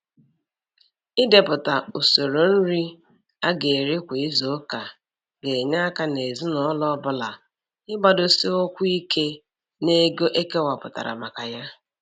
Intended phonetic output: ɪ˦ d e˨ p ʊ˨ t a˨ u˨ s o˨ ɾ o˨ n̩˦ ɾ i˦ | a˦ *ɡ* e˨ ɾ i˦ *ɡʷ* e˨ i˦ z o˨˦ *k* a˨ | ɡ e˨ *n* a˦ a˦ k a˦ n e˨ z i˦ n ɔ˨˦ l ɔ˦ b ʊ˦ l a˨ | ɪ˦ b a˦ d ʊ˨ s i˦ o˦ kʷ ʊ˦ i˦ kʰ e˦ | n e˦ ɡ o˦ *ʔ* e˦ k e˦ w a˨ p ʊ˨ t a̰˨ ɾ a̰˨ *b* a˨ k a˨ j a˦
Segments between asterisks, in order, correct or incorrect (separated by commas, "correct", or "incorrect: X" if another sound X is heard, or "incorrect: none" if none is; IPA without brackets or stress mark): correct, incorrect: kʷ, correct, incorrect: ɲ, correct, incorrect: m